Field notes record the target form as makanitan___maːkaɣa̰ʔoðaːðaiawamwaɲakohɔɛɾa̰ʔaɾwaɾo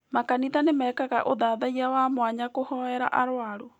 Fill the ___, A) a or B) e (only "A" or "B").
B